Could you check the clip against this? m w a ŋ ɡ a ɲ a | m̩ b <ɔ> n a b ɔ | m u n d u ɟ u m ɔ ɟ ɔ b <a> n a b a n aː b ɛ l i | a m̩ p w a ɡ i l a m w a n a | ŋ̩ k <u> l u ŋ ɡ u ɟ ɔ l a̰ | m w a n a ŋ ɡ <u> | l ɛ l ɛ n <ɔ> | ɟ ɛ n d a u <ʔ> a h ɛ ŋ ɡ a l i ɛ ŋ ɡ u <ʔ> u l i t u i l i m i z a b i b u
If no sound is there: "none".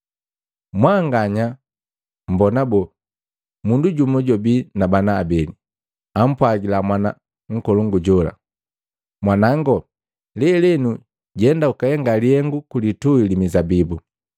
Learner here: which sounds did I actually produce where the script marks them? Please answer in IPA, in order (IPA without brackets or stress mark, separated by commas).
ɔ, i, ɔ, ɔ, u, k, k